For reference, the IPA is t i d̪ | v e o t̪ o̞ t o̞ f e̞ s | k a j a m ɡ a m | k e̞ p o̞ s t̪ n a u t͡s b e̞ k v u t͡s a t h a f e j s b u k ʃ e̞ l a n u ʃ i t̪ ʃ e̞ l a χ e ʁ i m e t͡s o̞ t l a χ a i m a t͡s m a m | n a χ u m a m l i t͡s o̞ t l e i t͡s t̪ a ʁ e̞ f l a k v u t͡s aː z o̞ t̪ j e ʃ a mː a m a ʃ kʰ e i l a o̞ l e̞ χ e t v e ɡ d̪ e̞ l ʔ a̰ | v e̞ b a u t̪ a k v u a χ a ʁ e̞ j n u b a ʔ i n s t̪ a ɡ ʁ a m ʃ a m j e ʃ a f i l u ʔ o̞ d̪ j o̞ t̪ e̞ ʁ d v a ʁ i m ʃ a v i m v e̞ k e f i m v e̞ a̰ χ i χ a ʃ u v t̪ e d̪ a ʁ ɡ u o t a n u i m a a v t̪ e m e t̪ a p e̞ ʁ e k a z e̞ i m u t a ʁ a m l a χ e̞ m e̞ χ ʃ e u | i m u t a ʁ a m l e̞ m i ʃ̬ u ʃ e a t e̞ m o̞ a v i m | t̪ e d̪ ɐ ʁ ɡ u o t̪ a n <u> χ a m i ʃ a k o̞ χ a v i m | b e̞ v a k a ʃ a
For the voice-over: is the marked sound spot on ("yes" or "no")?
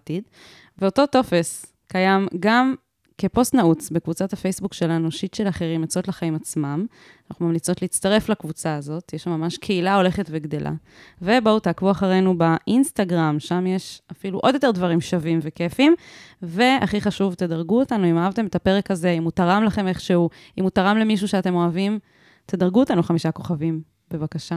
yes